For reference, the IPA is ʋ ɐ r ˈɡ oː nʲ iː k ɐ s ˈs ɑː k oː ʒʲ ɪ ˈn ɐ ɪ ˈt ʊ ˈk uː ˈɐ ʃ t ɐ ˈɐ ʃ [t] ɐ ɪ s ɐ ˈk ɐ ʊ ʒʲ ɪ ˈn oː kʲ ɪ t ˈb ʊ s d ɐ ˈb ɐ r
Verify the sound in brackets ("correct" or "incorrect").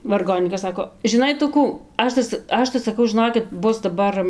correct